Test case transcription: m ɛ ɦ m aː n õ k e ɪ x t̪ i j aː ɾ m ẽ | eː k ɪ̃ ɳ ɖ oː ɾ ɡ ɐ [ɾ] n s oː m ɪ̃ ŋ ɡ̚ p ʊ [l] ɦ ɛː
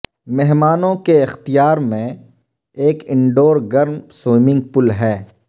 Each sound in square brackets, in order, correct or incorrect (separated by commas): correct, correct